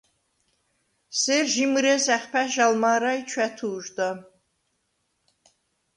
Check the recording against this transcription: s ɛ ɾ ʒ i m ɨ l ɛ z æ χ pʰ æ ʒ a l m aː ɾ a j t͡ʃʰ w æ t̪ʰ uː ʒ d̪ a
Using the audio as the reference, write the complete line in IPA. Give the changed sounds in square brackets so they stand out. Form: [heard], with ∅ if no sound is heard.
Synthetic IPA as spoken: s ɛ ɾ ʒ i m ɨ [ɾ] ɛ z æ χ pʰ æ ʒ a l m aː ɾ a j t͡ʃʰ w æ t̪ʰ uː ʒ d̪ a